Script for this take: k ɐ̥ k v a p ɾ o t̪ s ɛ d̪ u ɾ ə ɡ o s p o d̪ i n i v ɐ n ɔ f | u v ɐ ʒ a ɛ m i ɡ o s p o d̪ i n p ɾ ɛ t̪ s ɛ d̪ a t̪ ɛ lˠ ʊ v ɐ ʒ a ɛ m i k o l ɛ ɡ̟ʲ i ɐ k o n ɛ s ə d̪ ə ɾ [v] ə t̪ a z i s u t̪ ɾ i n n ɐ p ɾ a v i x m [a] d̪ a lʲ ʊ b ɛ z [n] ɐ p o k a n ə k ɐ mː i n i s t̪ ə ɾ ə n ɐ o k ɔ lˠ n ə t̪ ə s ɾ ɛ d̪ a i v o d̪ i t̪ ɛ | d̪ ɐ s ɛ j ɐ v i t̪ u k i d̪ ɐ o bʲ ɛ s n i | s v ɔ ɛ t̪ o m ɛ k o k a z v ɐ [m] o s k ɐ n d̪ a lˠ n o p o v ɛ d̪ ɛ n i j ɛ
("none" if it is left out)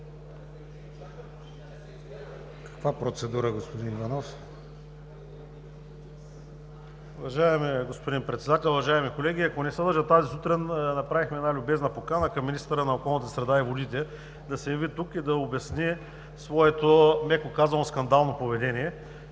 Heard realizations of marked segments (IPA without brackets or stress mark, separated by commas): ʒ, ɛ, n, n